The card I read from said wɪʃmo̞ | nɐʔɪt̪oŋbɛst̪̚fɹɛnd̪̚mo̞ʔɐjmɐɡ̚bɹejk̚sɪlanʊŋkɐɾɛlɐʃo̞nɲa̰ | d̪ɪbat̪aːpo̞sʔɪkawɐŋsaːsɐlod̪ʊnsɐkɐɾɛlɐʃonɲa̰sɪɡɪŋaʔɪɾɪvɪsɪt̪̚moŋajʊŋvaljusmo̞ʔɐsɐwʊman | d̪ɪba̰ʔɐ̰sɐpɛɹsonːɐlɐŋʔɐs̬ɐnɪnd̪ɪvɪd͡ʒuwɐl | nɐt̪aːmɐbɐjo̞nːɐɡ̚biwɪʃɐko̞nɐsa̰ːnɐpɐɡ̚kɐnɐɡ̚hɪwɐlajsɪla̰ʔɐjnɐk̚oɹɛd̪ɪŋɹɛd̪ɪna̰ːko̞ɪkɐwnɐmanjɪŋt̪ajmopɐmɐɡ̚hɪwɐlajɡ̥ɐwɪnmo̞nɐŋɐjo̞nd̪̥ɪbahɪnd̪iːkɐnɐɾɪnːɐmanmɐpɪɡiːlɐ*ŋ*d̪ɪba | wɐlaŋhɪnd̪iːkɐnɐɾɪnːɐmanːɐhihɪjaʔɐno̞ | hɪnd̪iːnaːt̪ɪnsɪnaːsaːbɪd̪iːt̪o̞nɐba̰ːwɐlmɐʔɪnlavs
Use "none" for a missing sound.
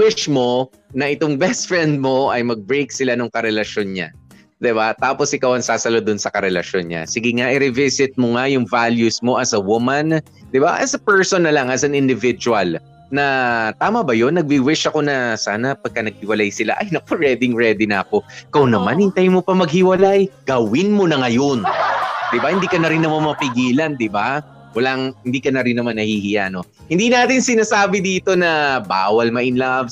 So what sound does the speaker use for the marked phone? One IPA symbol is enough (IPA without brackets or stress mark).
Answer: n